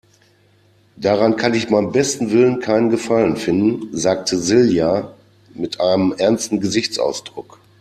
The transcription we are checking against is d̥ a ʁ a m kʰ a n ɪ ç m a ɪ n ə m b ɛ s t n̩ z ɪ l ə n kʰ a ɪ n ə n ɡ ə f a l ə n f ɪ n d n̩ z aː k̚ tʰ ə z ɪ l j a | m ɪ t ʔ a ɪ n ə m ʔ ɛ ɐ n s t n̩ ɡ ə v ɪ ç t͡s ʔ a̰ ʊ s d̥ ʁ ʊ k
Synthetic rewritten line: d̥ a ʁ a n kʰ a n ɪ ç m a ɪ n ə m b ɛ s t n̩ v ɪ l ə n kʰ a ɪ n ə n ɡ ə f a l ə n f ɪ n d n̩ z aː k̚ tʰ ə z ɪ l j a | m ɪ t ʔ a ɪ n ə m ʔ ɛ ɐ n s t n̩ ɡ ə z ɪ ç t͡s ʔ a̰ ʊ s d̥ ʁ ʊ k

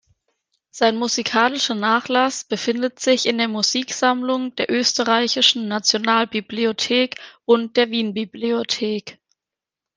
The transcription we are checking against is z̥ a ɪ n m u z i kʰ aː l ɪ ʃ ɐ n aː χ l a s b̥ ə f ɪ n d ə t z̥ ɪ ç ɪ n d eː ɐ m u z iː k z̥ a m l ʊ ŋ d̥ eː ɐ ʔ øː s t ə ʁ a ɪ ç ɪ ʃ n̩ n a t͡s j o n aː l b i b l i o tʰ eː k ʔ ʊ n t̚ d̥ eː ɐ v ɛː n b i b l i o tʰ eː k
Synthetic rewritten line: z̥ a ɪ n m u z i kʰ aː l ɪ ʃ ɐ n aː χ l a s b̥ ə f ɪ n d ə t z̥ ɪ ç ɪ n d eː ɐ m u z iː k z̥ a m l ʊ ŋ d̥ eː ɐ ʔ øː s t ə ʁ a ɪ ç ɪ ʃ n̩ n a t͡s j o n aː l b i b l i o tʰ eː k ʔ ʊ n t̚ d̥ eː ɐ v iː n b i b l i o tʰ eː k

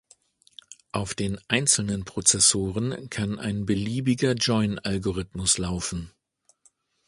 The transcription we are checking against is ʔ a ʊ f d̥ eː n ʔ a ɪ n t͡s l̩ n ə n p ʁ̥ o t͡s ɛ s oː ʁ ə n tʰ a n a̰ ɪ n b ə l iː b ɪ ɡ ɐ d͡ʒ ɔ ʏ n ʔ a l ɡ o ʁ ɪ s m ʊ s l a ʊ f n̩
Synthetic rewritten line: ʔ a ʊ f d̥ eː n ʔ a ɪ n t͡s l̩ n ə n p ʁ̥ o t͡s ɛ s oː ʁ ə n kʰ a n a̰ ɪ n b ə l iː b ɪ ɡ ɐ d͡ʒ ɔ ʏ n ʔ a l ɡ o ʁ ɪ t m ʊ s l a ʊ f n̩

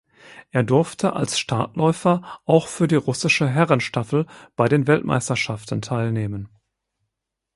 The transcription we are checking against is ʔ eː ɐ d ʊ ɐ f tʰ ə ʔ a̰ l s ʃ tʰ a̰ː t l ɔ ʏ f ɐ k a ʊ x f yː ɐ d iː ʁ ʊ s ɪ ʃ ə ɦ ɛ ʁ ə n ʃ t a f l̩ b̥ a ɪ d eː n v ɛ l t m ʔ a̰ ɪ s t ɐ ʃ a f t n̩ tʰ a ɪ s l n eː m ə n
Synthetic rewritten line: ʔ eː ɐ d ʊ ɐ f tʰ ə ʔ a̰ l s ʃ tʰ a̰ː t l ɔ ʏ f ɐ ʔ a ʊ x f yː ɐ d iː ʁ ʊ s ɪ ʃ ə ɦ ɛ ʁ ə n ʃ t a f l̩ b̥ a ɪ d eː n v ɛ l t m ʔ a̰ ɪ s t ɐ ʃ a f t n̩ tʰ a ɪ l n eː m ə n

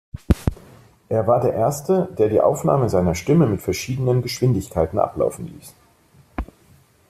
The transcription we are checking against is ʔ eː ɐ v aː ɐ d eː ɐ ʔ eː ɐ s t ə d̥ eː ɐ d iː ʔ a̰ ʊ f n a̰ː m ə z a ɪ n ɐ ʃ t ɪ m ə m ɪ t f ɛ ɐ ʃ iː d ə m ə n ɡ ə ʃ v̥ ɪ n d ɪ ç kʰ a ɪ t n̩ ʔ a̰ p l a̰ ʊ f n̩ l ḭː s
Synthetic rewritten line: ʔ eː ɐ v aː ɐ d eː ɐ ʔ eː ɐ s t ə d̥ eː ɐ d iː ʔ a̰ ʊ f n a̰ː m ə z a ɪ n ɐ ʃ t ɪ m ə m ɪ t f ɛ ɐ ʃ iː d ə n ə n ɡ ə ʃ v̥ ɪ n d ɪ ç kʰ a ɪ t n̩ ʔ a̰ p l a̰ ʊ f n̩ l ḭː s

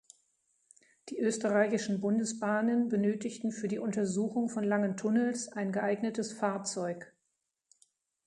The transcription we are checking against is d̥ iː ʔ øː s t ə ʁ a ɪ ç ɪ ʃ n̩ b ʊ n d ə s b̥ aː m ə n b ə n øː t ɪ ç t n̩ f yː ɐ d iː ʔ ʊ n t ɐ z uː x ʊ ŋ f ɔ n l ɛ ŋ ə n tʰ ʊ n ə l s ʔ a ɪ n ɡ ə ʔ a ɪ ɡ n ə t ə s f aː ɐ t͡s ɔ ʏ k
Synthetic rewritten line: d̥ iː ʔ øː s t ə ʁ a ɪ ç ɪ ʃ n̩ b ʊ n d ə s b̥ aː n ə n b ə n øː t ɪ ç t n̩ f yː ɐ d iː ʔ ʊ n t ɐ z uː x ʊ ŋ f ɔ n l a ŋ ə n tʰ ʊ n ə l s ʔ a ɪ n ɡ ə ʔ a ɪ ɡ n ə t ə s f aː ɐ t͡s ɔ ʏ k

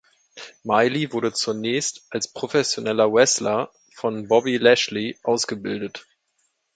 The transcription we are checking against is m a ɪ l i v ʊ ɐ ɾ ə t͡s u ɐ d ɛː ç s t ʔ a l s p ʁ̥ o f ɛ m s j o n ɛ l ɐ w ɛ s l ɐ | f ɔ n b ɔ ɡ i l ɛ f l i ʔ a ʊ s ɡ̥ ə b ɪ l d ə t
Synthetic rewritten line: m a ɪ l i v ʊ ɐ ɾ ə t͡s u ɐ n ɛː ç s t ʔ a l s p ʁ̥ o f ɛ s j o n ɛ l ɐ w ɛ s l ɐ | f ɔ n b ɔ b i l ɛ ʃ l i ʔ a ʊ s ɡ̥ ə b ɪ l d ə t

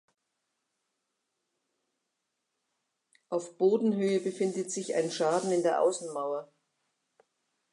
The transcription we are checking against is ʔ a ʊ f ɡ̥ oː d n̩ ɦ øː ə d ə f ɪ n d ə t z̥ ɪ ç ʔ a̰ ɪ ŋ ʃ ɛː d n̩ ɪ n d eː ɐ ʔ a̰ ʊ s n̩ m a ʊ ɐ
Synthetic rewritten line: ʔ a ʊ f b̥ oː d n̩ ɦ øː ə b ə f ɪ n d ə t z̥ ɪ ç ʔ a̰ ɪ n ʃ aː d n̩ ɪ n d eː ɐ ʔ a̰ ʊ s n̩ m a ʊ ɐ

